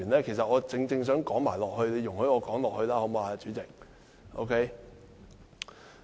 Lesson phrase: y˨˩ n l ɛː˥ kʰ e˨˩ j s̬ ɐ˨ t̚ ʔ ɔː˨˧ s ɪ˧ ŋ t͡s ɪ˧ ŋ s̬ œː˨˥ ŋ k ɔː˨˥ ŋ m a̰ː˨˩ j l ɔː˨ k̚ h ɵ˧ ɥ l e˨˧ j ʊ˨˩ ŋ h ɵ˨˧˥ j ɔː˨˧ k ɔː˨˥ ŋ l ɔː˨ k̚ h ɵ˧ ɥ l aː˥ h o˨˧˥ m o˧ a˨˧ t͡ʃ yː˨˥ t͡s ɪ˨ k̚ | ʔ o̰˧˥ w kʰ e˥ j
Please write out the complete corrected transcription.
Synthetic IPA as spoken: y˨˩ n l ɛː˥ kʰ e˨˩ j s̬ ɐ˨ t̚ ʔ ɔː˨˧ t͡s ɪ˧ ŋ t͡s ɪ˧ ŋ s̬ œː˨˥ ŋ k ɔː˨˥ ŋ m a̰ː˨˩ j l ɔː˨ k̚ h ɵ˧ ɥ l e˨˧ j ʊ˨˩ ŋ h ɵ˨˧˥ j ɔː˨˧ k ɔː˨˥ ŋ l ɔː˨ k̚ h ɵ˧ ɥ l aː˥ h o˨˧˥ m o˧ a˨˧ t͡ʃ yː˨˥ t͡s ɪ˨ k̚ | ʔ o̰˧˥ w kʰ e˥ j